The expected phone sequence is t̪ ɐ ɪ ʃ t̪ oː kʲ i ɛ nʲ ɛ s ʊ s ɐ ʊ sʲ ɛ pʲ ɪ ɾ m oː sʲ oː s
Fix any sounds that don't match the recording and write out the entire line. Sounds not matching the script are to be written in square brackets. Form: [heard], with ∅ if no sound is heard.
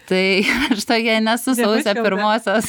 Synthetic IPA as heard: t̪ ɐ ɪ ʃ t̪ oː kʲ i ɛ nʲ ɛ s ʊ s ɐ ʊ sʲ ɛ pʲ ɪ ɾ m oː sʲ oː s